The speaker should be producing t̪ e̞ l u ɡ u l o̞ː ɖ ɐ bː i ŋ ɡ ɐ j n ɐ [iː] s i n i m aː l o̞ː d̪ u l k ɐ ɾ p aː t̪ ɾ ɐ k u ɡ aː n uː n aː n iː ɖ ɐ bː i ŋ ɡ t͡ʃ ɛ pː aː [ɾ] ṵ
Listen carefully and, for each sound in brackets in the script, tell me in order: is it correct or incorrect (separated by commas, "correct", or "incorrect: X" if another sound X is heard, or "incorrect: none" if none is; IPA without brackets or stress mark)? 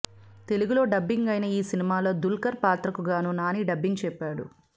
correct, incorrect: ɽ